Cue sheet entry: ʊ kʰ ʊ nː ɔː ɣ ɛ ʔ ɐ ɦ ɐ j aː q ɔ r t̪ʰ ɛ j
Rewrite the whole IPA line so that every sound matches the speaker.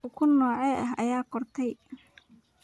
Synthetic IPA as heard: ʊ kʰ ʊ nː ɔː ʕ ɛ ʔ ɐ ɦ ɐ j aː q ɔ r t̪ʰ ɛ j